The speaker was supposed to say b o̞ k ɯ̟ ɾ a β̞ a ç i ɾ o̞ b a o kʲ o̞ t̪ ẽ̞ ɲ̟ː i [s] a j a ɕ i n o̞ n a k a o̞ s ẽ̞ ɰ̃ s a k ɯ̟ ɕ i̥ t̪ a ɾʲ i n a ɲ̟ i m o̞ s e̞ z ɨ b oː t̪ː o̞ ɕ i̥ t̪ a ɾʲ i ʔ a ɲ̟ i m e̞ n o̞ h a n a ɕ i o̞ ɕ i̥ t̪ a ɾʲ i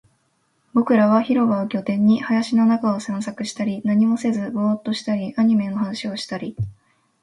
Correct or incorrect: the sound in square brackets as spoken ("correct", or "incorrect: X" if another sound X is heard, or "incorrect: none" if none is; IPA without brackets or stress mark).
incorrect: h